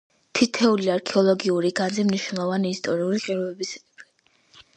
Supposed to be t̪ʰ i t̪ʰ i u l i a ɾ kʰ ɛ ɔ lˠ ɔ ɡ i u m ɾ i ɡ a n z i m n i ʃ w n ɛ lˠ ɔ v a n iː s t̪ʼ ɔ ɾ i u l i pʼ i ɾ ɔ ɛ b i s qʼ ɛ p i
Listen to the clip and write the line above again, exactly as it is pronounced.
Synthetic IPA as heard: t̪ʰ i t̪ʰ ɛ u l i a ɾ kʰ ɛ ɔ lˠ ɔ ɡ i u ɾ i ɡ a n z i m n i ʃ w n ɛ lˠ ɔ v a n iː s t̪ʼ ɔ ɾ i u l i qʼ i ɾ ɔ ɛ b i s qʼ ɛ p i